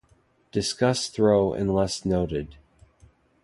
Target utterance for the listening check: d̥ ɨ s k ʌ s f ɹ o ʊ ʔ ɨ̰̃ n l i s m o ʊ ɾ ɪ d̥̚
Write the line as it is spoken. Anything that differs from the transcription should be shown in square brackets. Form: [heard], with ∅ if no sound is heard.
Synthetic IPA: d̥ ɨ s k ʌ s [θ] ɹ o ʊ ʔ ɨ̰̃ n l [ɛ] s [n] o ʊ ɾ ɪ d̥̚